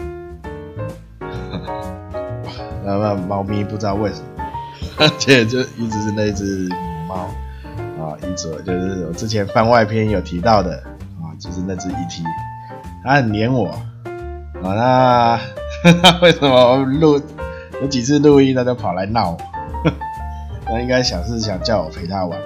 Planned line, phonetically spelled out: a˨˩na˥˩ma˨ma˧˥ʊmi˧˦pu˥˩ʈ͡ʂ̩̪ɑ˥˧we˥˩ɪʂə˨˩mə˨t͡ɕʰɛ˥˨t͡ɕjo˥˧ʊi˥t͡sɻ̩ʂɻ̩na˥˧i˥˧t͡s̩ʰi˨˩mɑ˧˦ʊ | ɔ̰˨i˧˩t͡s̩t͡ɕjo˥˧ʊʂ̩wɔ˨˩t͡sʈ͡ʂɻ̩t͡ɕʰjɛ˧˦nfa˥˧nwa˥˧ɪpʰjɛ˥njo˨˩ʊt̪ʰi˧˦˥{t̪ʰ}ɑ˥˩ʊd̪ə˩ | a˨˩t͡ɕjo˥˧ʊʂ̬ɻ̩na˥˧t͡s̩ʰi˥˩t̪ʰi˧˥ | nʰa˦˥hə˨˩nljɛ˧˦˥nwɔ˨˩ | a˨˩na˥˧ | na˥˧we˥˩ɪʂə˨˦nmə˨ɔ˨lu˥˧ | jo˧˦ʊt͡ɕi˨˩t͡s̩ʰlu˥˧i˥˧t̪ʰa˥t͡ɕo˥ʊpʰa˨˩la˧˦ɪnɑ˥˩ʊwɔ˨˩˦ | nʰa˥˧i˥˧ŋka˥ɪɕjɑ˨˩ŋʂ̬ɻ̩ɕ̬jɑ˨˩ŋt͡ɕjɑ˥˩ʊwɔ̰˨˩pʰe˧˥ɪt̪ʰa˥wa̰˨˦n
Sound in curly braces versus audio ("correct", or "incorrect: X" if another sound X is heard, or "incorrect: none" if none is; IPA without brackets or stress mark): incorrect: t̪